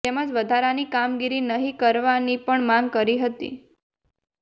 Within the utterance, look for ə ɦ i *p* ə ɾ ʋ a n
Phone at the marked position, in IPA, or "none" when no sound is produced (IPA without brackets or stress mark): k